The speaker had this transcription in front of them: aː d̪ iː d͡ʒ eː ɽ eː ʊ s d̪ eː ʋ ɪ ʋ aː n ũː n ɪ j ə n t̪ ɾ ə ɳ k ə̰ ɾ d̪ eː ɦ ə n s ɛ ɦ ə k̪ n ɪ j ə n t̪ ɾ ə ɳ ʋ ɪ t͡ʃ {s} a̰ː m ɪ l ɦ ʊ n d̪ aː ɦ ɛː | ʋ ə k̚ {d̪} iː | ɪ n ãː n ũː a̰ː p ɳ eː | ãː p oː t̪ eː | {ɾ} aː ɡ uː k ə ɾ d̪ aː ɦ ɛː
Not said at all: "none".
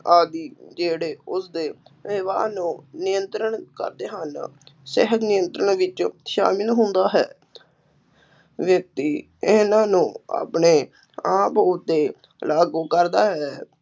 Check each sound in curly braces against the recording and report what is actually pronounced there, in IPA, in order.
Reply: ʃ, t̪, l

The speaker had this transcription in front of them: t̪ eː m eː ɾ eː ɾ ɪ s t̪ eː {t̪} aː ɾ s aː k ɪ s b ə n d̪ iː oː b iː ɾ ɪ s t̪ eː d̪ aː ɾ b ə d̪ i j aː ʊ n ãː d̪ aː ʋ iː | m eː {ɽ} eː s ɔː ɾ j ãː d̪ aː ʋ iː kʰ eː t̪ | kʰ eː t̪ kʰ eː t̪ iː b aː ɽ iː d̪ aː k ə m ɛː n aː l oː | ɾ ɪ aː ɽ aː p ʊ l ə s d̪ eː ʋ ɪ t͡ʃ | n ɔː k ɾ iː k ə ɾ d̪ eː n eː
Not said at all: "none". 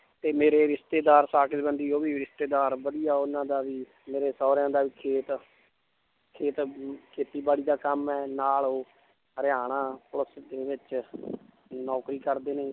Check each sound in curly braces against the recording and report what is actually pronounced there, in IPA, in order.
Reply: d̪, ɾ

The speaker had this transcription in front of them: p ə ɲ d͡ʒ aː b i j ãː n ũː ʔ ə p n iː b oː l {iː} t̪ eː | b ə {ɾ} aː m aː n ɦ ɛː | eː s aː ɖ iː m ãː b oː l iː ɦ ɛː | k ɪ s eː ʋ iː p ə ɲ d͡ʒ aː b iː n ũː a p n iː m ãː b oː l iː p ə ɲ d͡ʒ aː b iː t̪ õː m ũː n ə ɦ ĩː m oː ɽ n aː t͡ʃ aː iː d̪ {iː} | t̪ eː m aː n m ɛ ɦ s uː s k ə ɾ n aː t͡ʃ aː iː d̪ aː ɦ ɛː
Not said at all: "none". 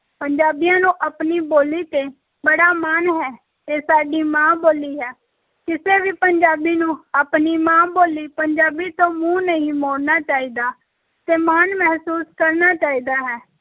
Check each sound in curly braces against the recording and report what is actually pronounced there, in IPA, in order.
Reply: iː, ɽ, aː

